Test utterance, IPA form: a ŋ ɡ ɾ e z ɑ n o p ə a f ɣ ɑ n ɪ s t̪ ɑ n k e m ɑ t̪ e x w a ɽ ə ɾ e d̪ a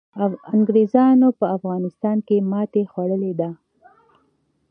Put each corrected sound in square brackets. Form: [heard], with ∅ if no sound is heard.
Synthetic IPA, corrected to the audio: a ŋ ɡ ɾ e z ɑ n o p ə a f ɣ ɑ n ɪ s t̪ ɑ n k e m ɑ t̪ e x w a ɽ ə [l] e d̪ a